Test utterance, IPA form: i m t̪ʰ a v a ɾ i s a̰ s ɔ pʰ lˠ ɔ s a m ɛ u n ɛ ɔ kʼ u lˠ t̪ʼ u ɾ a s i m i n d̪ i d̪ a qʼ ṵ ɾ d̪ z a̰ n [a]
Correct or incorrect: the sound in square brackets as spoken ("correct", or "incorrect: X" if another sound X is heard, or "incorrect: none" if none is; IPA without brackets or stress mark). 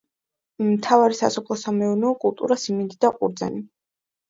incorrect: i